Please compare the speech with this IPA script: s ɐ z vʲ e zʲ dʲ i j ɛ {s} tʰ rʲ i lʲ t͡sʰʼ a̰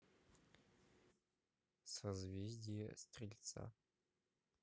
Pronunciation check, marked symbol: correct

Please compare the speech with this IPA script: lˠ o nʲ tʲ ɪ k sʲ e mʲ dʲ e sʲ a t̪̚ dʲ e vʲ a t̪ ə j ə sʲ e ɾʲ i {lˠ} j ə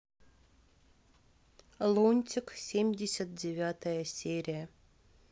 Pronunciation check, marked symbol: incorrect: none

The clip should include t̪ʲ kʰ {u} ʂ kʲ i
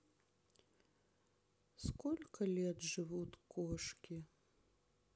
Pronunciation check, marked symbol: incorrect: ɔ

